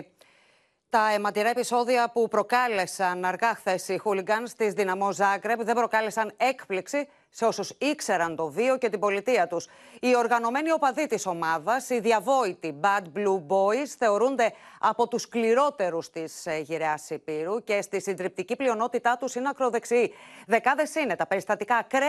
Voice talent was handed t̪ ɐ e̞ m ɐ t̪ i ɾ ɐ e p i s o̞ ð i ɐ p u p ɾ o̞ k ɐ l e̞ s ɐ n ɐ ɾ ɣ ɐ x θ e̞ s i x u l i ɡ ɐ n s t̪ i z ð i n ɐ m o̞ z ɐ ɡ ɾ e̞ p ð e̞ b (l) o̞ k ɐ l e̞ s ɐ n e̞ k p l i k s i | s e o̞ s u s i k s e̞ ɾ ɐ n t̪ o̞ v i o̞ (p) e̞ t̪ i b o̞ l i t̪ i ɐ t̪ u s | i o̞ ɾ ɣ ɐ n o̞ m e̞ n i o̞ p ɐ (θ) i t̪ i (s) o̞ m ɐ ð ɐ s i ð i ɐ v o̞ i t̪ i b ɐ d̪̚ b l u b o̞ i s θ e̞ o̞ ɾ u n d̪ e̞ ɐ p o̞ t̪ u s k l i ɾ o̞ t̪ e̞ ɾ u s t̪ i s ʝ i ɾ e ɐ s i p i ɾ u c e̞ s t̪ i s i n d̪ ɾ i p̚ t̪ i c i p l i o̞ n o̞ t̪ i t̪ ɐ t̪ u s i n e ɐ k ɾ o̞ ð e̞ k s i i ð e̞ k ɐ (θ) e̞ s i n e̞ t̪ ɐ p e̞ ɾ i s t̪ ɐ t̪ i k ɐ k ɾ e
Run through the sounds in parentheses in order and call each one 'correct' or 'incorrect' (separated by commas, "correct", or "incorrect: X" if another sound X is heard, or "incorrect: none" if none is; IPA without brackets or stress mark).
incorrect: ɾ, incorrect: c, incorrect: ð, correct, incorrect: ð